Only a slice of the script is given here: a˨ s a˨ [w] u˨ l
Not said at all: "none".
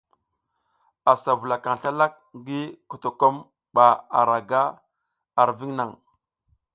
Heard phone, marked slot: v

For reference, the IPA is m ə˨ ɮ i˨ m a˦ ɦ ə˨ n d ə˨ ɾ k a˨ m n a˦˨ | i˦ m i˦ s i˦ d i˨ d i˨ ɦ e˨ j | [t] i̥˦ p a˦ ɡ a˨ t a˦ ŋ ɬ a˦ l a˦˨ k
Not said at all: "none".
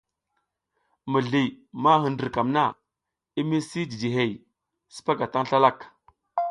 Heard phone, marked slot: s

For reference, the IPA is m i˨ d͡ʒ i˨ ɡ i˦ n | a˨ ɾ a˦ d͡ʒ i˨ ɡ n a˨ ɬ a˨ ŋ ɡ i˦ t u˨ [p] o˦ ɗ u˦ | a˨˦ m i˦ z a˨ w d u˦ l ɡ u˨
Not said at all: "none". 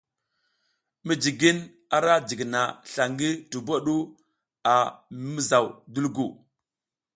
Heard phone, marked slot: b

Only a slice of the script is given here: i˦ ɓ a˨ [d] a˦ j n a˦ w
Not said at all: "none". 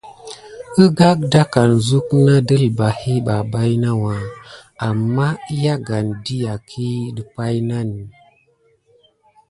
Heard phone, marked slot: b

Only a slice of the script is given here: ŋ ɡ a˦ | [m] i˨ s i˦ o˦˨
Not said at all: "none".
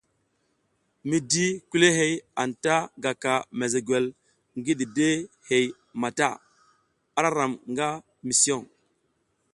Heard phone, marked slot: m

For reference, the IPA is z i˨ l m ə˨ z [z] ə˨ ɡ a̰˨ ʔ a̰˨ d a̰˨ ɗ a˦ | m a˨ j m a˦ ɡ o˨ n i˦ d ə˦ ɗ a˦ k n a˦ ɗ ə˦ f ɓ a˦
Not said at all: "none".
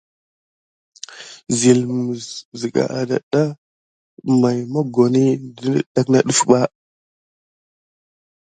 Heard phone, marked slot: z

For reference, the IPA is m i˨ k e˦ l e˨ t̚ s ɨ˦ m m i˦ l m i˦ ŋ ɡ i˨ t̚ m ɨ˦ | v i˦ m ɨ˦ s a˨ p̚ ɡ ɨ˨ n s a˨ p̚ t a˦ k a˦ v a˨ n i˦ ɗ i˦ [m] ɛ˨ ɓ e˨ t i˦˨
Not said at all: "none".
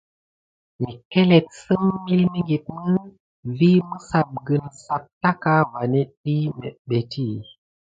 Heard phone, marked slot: m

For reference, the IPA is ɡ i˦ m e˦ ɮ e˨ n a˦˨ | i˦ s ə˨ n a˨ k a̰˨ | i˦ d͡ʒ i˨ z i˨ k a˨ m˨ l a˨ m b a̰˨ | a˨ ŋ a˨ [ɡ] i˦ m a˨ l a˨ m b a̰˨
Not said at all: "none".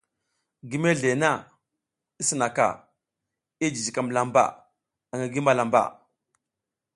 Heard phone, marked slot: ɡ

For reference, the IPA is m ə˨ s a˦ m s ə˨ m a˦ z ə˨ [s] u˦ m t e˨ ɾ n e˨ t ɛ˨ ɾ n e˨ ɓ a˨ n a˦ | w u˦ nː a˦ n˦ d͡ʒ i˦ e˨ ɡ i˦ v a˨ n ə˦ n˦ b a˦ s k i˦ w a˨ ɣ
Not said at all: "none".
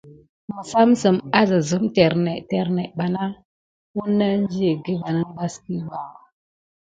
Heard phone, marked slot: z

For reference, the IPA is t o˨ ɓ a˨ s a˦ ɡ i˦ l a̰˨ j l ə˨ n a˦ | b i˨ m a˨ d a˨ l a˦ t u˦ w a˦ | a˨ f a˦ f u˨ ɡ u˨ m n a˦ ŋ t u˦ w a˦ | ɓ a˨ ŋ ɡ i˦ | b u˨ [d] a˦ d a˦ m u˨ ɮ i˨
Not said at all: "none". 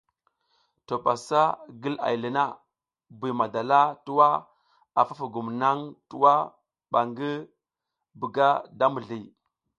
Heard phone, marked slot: ɡ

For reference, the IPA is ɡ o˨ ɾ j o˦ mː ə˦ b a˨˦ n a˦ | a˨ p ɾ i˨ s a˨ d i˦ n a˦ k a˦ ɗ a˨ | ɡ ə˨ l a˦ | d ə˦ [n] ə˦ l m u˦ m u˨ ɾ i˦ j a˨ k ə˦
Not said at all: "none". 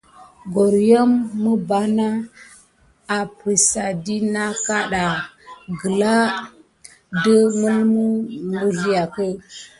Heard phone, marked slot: m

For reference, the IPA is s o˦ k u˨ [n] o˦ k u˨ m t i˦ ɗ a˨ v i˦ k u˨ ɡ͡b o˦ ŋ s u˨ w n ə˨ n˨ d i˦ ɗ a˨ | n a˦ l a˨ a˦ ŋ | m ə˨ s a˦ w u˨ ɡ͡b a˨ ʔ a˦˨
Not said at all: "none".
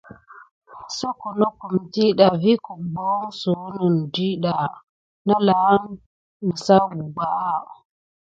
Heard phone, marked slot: n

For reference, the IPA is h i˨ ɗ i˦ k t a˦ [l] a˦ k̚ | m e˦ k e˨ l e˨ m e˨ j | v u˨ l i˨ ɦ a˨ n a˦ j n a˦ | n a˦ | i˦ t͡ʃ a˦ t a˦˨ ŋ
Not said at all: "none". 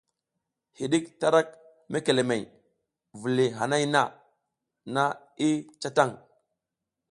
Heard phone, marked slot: ɾ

